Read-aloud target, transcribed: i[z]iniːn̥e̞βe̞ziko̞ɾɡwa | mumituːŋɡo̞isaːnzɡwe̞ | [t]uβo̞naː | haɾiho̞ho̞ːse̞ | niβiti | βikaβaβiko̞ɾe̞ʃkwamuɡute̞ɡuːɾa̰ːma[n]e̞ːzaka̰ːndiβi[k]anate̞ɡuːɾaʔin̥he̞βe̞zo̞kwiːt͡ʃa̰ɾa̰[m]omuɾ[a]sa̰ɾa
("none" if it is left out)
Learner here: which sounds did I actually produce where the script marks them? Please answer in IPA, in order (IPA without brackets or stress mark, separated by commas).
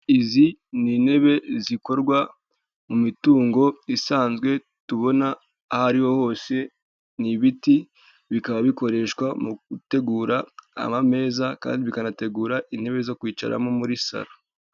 z, t, m, k, m, i